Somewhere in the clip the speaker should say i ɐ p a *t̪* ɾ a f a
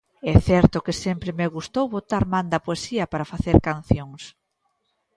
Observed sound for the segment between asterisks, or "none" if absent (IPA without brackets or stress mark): none